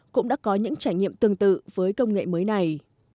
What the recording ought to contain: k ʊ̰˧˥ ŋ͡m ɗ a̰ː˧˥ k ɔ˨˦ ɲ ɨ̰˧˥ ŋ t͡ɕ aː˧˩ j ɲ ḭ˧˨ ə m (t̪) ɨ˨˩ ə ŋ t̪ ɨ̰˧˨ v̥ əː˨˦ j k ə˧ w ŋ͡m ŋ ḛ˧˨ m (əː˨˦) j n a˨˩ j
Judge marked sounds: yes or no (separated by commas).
yes, yes